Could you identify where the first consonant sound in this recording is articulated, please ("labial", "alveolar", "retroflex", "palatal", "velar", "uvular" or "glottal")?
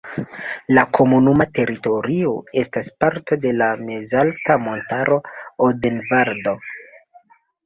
alveolar